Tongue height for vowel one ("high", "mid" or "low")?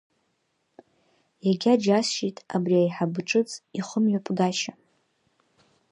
low